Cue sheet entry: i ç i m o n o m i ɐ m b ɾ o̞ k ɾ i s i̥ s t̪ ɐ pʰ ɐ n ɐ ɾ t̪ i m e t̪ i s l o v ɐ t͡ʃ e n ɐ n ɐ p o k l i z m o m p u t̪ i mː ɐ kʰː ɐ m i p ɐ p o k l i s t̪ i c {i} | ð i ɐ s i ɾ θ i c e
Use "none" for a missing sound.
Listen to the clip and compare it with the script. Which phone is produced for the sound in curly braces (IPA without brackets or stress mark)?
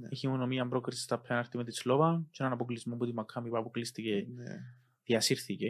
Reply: e